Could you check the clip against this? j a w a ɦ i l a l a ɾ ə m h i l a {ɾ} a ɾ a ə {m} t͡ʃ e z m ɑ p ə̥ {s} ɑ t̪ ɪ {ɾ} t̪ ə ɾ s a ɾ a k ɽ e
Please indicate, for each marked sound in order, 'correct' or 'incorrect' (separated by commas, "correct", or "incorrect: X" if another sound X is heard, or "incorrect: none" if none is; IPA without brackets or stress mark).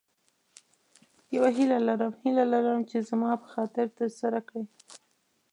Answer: incorrect: l, correct, incorrect: x, correct